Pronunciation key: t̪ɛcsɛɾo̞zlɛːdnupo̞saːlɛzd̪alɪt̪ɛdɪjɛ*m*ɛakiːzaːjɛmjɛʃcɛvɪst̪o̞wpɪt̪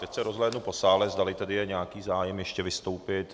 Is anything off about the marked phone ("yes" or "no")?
yes